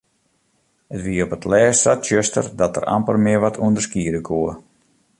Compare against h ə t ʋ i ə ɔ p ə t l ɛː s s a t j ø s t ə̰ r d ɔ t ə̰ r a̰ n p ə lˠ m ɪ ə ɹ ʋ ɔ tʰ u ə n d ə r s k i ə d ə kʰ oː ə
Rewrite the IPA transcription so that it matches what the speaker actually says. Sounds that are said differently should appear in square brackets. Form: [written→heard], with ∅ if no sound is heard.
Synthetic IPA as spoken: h ə t ʋ i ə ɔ p ə t l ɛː s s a t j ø s t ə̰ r d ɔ t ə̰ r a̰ [n→m] p ə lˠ m ɪ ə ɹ ʋ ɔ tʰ u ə n d ə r s k i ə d ə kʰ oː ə